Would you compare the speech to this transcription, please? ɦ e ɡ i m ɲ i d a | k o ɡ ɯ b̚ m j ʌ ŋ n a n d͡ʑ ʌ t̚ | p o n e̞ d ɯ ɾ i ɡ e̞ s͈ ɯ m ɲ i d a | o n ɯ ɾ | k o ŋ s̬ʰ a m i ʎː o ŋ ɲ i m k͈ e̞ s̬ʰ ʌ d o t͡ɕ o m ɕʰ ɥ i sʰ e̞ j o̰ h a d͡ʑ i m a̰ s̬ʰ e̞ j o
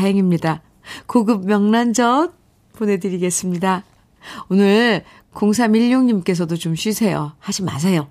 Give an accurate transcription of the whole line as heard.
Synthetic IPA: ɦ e ŋ i m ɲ i d a | k o ɡ ɯ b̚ m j ʌ ŋ n a n d͡ʑ ʌ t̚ | p o n e̞ d ɯ ɾ i ɡ e̞ s͈ ɯ m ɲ i d a | o n ɯ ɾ | k o ŋ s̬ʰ a m i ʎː o ŋ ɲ i m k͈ e̞ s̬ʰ ʌ d o t͡ɕ o m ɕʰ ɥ i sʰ e̞ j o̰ h a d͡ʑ i m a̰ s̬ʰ e̞ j o